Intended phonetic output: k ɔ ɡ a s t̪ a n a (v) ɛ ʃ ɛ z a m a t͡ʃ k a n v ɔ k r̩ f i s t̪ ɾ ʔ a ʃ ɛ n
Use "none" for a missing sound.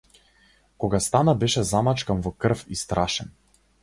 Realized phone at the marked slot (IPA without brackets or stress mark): b